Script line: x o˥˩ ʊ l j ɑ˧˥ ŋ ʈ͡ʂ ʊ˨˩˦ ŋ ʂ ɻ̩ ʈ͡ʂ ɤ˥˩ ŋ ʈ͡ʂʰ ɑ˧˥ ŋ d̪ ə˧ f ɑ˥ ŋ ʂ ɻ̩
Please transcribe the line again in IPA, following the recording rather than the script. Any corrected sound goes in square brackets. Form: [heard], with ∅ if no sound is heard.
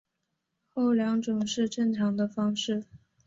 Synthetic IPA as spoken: x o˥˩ ʊ l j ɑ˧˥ ŋ ʈ͡ʂ [ʊ˨˩] ŋ ʂ ɻ̩ ʈ͡ʂ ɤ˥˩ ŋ ʈ͡ʂʰ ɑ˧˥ ŋ d̪ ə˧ f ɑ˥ ŋ ʂ ɻ̩